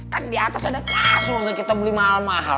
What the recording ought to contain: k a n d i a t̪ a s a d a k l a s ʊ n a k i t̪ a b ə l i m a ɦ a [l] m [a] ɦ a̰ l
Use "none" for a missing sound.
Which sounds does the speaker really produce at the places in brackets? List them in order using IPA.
l, a

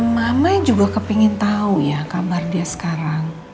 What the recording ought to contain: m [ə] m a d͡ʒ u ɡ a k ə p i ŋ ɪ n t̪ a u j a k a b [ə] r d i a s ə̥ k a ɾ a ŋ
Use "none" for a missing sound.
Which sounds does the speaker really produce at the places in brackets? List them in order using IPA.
a, a

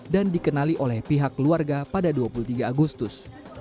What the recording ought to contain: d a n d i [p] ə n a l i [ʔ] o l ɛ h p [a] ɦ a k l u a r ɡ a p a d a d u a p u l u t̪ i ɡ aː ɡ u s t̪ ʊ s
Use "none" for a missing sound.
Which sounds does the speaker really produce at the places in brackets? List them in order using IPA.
k, ʔ, i

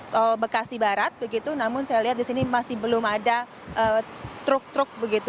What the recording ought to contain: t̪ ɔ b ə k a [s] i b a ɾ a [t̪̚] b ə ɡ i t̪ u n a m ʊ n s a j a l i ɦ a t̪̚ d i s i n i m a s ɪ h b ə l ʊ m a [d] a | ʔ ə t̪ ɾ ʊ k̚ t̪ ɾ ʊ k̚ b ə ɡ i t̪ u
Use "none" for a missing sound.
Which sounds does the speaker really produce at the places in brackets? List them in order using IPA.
s, t̪̚, d

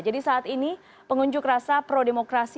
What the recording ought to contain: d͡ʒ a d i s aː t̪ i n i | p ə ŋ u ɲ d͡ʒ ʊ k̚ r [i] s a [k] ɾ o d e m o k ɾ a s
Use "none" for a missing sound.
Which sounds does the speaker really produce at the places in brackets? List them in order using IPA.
a, p

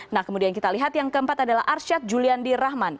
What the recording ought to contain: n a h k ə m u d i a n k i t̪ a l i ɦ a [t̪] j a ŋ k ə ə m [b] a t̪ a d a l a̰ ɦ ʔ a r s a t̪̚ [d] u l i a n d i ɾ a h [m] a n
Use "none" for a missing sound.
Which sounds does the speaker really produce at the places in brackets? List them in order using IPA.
t̪, p, d͡ʒ, m

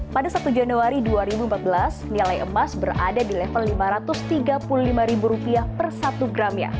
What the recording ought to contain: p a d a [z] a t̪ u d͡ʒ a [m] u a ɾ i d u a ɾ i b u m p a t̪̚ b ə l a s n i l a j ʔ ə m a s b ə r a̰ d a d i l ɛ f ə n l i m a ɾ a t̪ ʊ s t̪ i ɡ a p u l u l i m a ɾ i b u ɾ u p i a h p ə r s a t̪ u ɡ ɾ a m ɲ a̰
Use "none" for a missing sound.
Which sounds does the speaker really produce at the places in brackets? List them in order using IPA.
s, n

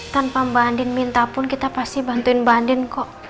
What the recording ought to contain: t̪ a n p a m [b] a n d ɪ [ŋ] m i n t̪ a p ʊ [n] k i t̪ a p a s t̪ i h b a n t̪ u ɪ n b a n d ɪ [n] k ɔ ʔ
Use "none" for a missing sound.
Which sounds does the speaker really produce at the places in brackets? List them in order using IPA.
b, n, n, n

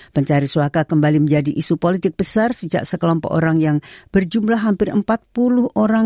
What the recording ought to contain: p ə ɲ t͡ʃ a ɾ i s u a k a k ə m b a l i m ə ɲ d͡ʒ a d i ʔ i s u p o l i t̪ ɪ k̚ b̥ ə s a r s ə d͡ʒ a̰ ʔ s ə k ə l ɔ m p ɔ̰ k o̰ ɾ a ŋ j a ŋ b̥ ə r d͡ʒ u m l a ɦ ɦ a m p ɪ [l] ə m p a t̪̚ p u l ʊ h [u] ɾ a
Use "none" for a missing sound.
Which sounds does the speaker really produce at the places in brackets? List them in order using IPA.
r, o

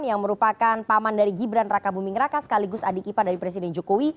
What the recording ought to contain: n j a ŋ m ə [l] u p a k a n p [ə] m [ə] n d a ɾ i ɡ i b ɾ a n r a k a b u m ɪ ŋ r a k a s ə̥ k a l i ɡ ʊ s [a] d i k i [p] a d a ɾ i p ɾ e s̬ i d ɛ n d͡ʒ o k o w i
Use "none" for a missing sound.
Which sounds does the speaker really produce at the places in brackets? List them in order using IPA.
ɾ, a, a, a, p

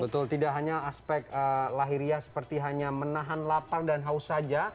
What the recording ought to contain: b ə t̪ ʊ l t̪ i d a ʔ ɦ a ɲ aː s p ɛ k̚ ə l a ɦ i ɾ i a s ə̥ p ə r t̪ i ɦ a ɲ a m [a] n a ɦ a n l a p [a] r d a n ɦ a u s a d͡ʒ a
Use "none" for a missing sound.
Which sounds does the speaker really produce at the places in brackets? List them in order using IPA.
ə, a

